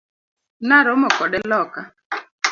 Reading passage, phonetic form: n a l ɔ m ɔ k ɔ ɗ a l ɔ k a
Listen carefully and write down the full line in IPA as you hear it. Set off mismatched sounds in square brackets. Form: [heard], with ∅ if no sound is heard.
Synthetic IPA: n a [ɾ] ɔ m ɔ k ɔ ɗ [ɛ] l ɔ k a